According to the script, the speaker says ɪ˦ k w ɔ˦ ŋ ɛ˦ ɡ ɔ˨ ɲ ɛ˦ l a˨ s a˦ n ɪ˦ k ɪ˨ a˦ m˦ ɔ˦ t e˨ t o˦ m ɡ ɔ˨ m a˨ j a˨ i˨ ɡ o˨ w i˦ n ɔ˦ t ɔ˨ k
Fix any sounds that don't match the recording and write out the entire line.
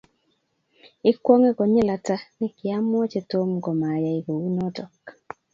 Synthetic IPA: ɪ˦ k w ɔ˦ ŋ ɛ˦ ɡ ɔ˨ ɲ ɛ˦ l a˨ t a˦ n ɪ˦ k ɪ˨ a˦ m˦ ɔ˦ t͡ʃ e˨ t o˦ m ɡ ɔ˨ m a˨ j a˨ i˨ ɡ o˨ w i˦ n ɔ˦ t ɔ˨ k